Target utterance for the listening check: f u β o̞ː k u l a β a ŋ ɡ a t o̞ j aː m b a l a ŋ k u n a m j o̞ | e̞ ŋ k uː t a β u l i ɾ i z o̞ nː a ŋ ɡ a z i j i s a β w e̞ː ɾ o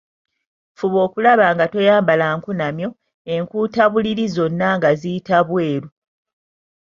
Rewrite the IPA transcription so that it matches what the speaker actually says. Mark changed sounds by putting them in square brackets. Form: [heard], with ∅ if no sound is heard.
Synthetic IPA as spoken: f u β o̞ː k u l a β a ŋ ɡ a t o̞ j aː m b a l a ŋ k u n a m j o̞ | e̞ ŋ k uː t a β u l i ɾ i z o̞ nː a ŋ ɡ a z i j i [t] a β w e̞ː ɾ [u]

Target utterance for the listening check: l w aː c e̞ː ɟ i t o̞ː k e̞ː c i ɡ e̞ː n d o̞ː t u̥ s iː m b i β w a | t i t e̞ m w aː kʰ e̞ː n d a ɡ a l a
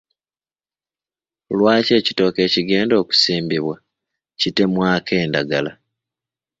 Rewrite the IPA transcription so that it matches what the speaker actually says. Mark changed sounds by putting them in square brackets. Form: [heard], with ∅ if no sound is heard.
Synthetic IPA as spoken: l w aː c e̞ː [c] i t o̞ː k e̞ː c i ɡ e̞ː n d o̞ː [k] u̥ s iː m b i β w a | [c] i t e̞ m w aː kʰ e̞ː n d a ɡ a l a

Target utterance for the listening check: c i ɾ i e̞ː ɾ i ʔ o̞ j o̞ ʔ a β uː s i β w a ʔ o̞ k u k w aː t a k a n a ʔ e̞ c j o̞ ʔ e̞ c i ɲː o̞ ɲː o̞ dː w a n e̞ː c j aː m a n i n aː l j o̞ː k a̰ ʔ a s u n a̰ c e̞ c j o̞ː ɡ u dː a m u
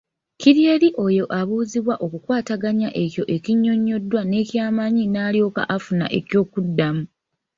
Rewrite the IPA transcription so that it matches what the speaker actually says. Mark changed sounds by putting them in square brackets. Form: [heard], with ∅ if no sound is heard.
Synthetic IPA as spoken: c i ɾ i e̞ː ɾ i ʔ o̞ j o̞ ʔ a β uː [z] i β w a ʔ o̞ k u k w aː t a [ɡ] a [ɲ] a ʔ e̞ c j o̞ ʔ e̞ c i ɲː o̞ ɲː o̞ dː w a n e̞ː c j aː m a [ɲ] i n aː l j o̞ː k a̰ ʔ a [f] u n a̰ [ʔ] e̞ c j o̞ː [k] u dː a m u

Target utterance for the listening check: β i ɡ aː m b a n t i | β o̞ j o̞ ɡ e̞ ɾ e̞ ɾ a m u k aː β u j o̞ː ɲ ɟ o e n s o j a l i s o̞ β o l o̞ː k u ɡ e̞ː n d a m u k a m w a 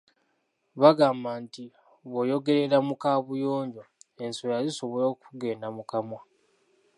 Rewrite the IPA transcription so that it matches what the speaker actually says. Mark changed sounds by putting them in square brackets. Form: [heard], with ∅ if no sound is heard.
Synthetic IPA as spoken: β [a] ɡ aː m b a n t i | β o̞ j o̞ ɡ e̞ ɾ e̞ ɾ a m u k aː β u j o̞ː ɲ ɟ o e n s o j a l i s o̞ β o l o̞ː k u ɡ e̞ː n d a m u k a m w a

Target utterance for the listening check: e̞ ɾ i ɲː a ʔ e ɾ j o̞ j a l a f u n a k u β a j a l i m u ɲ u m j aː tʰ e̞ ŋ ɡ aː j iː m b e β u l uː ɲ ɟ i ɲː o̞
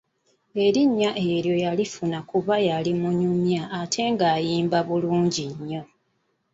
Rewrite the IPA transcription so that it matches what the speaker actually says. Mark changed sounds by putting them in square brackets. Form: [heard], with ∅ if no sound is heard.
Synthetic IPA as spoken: e̞ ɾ i ɲː a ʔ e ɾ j o̞ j a l [i] f u n a k u β a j a l i m u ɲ u m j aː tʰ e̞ ŋ ɡ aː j iː m b [a] β u l uː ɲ ɟ i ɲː o̞

